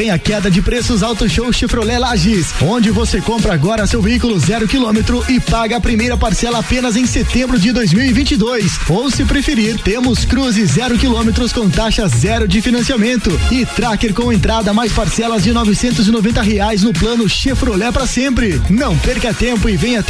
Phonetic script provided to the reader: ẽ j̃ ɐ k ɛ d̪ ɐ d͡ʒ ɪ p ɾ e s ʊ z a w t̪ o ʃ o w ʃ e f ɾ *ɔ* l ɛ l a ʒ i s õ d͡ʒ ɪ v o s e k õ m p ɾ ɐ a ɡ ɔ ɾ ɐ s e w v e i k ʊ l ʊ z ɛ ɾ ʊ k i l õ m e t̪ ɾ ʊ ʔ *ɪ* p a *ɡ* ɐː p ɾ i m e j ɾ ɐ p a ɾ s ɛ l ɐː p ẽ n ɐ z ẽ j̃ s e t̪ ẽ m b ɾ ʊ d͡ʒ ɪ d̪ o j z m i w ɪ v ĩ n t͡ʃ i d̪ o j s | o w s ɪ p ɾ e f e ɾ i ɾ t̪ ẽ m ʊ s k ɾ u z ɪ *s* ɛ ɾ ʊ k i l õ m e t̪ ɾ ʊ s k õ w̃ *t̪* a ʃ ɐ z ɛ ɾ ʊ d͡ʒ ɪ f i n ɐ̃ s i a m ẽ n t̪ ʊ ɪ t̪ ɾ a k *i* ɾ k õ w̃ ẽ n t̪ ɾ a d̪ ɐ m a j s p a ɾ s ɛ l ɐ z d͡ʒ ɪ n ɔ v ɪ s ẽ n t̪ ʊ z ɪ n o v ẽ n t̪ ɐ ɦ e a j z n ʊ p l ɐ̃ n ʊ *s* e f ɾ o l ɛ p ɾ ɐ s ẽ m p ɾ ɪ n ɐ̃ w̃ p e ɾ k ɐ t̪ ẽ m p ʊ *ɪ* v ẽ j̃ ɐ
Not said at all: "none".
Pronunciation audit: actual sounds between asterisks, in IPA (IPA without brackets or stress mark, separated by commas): o, ɪ, ɡ, z, t̪, e, ʃ, ɪ